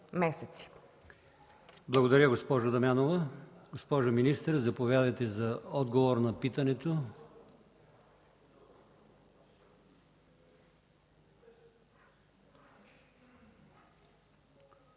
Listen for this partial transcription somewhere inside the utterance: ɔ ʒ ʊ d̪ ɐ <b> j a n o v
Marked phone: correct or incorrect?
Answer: incorrect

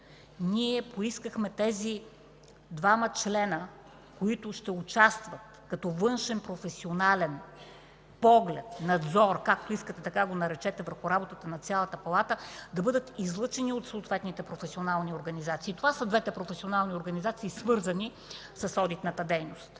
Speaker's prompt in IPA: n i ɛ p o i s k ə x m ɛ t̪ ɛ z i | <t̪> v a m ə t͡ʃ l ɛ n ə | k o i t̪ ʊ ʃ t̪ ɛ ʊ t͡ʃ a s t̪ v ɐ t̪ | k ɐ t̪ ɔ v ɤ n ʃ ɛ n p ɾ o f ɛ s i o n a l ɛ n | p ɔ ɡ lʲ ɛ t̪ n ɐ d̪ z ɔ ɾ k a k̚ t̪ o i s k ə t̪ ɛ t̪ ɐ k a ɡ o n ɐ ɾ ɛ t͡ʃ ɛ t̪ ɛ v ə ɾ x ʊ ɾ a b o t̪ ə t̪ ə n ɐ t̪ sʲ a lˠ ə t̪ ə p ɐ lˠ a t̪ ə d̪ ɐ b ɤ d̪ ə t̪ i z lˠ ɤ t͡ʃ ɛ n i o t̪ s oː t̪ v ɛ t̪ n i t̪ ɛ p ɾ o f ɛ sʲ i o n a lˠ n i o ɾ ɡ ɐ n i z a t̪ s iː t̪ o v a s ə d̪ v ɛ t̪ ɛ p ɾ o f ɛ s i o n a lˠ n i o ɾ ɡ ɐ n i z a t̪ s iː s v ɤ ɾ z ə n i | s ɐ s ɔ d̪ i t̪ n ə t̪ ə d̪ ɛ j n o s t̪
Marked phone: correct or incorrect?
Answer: incorrect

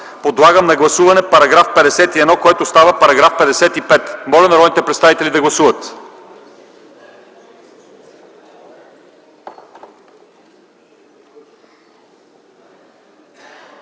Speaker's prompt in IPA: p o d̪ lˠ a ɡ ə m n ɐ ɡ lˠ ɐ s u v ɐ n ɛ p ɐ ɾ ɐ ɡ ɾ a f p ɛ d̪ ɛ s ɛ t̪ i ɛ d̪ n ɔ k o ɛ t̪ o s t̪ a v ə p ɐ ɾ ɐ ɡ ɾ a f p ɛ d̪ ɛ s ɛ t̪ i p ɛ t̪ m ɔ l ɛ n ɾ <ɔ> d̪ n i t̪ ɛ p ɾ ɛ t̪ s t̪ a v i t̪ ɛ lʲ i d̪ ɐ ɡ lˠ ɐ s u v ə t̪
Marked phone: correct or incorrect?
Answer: correct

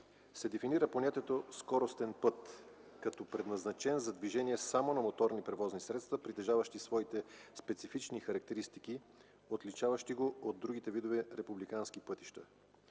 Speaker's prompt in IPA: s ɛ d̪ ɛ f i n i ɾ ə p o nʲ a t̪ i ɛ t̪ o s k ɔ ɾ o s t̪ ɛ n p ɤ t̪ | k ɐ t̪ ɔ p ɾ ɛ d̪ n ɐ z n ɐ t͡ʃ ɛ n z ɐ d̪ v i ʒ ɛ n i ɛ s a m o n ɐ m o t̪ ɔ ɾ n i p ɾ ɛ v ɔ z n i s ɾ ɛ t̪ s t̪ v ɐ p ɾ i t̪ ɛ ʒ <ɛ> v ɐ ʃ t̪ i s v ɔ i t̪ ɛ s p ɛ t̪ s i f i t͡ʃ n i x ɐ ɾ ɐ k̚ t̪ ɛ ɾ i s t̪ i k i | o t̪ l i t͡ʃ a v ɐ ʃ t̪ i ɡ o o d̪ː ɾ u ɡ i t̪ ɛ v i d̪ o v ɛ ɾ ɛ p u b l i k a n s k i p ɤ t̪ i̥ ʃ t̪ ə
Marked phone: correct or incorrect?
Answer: incorrect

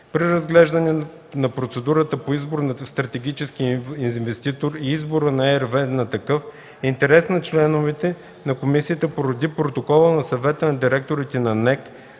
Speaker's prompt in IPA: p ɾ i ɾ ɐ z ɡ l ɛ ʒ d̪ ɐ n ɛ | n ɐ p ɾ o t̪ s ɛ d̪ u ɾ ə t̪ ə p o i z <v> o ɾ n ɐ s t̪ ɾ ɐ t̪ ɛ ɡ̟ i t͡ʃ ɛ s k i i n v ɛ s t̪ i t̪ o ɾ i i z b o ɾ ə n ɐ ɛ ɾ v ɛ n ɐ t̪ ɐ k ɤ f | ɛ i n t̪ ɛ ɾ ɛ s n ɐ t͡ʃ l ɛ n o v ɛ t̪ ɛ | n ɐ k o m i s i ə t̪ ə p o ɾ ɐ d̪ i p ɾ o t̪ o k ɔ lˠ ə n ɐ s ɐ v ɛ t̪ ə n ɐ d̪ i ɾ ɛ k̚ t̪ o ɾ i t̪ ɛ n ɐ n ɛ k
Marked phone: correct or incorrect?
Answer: incorrect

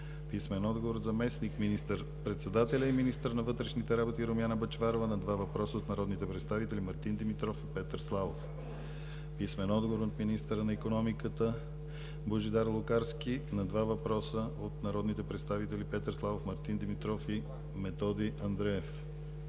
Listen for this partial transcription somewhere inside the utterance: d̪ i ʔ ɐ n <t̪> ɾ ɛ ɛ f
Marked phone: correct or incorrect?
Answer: incorrect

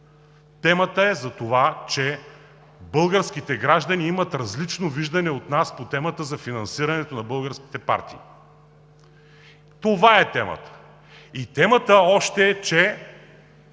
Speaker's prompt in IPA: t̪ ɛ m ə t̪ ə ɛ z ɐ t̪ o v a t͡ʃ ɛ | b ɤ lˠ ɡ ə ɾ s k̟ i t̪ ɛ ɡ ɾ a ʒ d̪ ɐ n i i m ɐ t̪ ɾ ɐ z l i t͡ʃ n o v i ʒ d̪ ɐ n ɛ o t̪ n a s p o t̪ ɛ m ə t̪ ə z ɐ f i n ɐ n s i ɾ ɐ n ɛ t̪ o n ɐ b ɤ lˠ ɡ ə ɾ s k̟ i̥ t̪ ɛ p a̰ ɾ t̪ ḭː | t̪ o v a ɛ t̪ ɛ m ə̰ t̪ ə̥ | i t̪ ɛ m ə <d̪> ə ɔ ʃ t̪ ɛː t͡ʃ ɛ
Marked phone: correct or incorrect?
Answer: incorrect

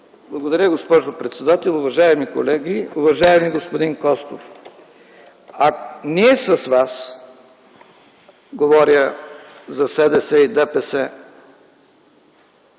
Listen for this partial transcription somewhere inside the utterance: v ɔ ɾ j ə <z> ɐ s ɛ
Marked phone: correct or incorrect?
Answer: correct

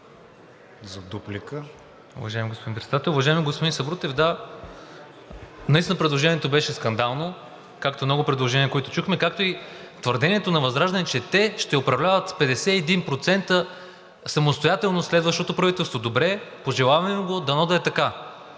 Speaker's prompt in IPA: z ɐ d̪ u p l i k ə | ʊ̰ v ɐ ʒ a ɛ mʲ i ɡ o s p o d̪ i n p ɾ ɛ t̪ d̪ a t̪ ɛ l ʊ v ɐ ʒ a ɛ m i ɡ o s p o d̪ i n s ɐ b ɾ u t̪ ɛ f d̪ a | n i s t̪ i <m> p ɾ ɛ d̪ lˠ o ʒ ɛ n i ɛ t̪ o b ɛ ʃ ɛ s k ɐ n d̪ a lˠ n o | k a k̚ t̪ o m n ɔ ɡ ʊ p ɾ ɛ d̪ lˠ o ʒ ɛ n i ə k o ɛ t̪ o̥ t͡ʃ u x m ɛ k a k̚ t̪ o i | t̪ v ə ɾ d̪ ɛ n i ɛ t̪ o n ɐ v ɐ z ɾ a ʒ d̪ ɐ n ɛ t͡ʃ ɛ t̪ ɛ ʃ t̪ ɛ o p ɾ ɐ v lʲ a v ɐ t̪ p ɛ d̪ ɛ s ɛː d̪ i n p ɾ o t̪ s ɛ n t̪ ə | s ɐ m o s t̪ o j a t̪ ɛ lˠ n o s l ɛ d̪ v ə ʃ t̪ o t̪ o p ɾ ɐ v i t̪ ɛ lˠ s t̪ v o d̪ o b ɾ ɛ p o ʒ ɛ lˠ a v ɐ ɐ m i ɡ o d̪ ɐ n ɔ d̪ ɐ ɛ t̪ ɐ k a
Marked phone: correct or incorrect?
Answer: incorrect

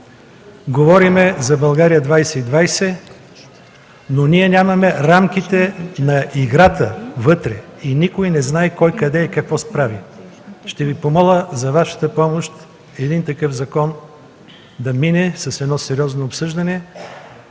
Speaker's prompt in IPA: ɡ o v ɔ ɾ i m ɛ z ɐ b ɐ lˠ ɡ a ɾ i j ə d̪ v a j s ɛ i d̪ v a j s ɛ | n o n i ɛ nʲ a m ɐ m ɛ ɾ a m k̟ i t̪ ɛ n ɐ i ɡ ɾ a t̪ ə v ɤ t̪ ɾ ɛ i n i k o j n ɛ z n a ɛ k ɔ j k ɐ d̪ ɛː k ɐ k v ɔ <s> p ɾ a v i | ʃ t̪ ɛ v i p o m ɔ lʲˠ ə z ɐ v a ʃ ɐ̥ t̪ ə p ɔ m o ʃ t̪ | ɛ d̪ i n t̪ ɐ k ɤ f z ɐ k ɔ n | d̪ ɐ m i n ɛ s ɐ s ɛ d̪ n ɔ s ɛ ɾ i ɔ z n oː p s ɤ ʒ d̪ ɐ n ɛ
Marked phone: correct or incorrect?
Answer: correct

